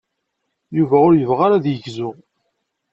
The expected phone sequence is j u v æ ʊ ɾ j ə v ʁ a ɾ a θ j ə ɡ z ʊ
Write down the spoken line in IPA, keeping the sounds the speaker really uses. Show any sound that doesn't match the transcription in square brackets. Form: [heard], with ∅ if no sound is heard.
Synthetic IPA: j u v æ ʊ ɾ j ə v ʁ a ɾ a [ð] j ə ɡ z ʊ